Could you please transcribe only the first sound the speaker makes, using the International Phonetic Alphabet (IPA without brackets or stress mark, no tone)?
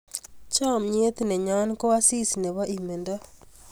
t͡ʃ